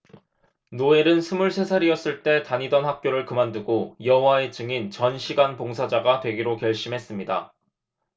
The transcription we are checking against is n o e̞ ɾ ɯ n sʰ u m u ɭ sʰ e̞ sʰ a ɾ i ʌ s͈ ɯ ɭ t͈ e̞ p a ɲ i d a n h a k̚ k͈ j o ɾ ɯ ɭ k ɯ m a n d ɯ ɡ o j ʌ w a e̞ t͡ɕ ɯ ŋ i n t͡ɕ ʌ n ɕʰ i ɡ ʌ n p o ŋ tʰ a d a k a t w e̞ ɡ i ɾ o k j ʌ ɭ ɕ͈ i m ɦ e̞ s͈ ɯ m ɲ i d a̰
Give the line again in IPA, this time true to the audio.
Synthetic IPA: n o e̞ ɾ ɯ n sʰ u m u ɭ sʰ e̞ sʰ a ɾ i ʌ s͈ ɯ ɭ t͈ e̞ t a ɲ i d ʌ n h a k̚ k͈ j o ɾ ɯ ɭ k ɯ m a n d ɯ ɡ o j ʌ w a e̞ t͡ɕ ɯ ŋ i n t͡ɕ ʌ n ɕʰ i ɡ a n p o ŋ sʰ a d͡ʑ a ɡ a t w e̞ ɡ i ɾ o k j ʌ ɭ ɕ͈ i m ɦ e̞ s͈ ɯ m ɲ i d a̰

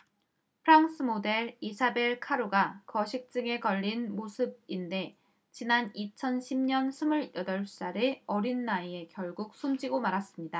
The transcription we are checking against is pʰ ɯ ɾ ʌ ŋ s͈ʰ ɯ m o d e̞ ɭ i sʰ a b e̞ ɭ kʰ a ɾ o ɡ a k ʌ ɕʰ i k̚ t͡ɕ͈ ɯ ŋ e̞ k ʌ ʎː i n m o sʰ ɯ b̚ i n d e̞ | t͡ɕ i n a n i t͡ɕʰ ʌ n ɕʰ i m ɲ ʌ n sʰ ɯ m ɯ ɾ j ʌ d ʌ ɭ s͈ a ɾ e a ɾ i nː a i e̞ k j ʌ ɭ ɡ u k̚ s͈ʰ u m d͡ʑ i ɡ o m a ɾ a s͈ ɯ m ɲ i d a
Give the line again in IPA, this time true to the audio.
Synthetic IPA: pʰ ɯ ɾ a ŋ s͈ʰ ɯ m o d e̞ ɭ i sʰ a b e̞ ɭ kʰ a ɾ o ɡ a k ʌ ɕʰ i k̚ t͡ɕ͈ ɯ ŋ e̞ k ʌ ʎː i n m o sʰ ɯ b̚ i n d e̞ | t͡ɕ i n a n i t͡ɕʰ ʌ n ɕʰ i m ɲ ʌ n sʰ ɯ m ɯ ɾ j ʌ d ʌ ɭ s͈ a ɾ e ʌ ɾ i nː a i e̞ k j ʌ ɭ ɡ u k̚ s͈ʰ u m d͡ʑ i ɡ o m a ɾ a s͈ ɯ m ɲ i d a

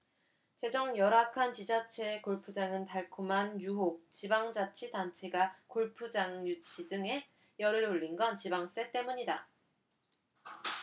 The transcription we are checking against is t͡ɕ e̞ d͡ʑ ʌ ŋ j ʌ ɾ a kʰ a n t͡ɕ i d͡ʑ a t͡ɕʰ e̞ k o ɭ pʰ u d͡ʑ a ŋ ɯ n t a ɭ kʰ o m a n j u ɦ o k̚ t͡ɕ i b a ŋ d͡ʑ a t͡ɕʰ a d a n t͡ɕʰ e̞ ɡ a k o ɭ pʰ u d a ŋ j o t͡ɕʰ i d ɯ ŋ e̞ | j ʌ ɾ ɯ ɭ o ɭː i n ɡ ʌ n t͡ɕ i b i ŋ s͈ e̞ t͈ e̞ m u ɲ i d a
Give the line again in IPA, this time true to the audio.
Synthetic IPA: t͡ɕ e̞ d͡ʑ ʌ ŋ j ʌ ɾ a kʰ a n t͡ɕ i d͡ʑ a t͡ɕʰ e̞ k o ɭ pʰ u d͡ʑ a ŋ ɯ n t a ɭ kʰ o m a n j u ɦ o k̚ t͡ɕ i b a ŋ d͡ʑ a t͡ɕʰ i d a n t͡ɕʰ e̞ ɡ a k o ɭ pʰ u d͡ʑ a ŋ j u t͡ɕʰ i d ɯ ŋ e̞ | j ʌ ɾ ɯ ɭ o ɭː i n ɡ ʌ n t͡ɕ i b a ŋ s͈ e̞ t͈ e̞ m u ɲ i d a

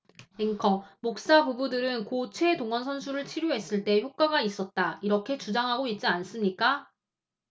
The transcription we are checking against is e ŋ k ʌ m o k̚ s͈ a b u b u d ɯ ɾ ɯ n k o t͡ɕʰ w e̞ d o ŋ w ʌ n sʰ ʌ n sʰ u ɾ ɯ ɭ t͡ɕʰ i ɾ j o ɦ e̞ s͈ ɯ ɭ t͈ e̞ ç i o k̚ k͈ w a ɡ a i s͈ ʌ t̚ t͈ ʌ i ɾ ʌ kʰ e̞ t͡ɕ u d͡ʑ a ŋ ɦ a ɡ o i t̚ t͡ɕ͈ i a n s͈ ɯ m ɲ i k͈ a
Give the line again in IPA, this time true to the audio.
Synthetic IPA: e ŋ kʰ ʌ m o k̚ s͈ a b u b u d ɯ ɾ ɯ n k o t͡ɕʰ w e̞ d o ŋ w ʌ n sʰ ʌ n sʰ u ɾ ɯ ɭ t͡ɕʰ i ɾ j o ɦ e̞ s͈ ɯ ɭ t͈ e̞ ç j o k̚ k͈ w a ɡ a i s͈ ʌ t̚ t͈ a i ɾ ʌ kʰ e̞ t͡ɕ u d͡ʑ a ŋ ɦ a ɡ o i t̚ t͡ɕ͈ i a n s͈ ɯ m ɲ i k͈ a

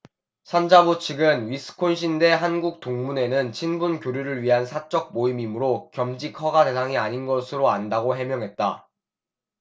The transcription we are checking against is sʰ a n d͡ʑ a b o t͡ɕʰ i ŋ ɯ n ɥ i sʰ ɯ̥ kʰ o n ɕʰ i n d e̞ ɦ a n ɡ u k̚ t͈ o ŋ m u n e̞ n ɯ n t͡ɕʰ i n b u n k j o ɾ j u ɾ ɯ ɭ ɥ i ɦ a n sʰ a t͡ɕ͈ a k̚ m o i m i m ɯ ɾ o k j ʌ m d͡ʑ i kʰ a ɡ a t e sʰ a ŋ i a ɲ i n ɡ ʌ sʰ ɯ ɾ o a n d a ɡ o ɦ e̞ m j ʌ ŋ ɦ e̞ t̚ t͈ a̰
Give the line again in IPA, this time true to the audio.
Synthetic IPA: sʰ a n d͡ʑ a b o t͡ɕʰ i ɡ ɯ n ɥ i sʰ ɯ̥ kʰ o n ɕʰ i n d e̞ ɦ a n ɡ u k̚ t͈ o ŋ m u n e̞ n ɯ n t͡ɕʰ i n b u n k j o ɾ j u ɾ ɯ ɭ ɥ i ɦ a n sʰ a t͡ɕ͈ ʌ k̚ m o i m i m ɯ ɾ o k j ʌ m d͡ʑ i kʰ ʌ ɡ a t e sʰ a ŋ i a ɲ i n ɡ ʌ sʰ ɯ ɾ o a n d a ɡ o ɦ e̞ m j ʌ ŋ ɦ e̞ t̚ t͈ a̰

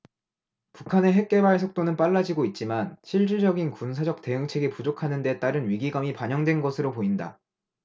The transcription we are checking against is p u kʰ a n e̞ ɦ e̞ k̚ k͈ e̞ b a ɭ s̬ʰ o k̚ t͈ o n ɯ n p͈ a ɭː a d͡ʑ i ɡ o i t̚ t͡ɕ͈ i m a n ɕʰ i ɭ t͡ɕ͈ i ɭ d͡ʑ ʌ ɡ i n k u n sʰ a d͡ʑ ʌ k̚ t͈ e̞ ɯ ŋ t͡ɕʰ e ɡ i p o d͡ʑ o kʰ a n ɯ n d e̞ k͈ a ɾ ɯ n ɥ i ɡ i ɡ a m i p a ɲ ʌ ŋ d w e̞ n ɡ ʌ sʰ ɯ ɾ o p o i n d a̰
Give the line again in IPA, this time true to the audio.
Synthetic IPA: p u kʰ a n e̞ ɦ e̞ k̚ k͈ e̞ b a ɭ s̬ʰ o k̚ t͈ o n ɯ n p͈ a ɭː a d͡ʑ i ɡ o i t̚ t͡ɕ͈ i m a n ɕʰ i ɭ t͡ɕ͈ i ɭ d͡ʑ ʌ ɡ i n k u n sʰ a d͡ʑ ʌ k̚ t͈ e̞ ɯ ŋ t͡ɕʰ e ɡ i p u d͡ʑ o kʰ a n ɯ n d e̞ t͈ a ɾ ɯ n ɥ i ɡ i ɡ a m i p a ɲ ʌ ŋ d w e̞ n ɡ ʌ sʰ ɯ ɾ o p o i n d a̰

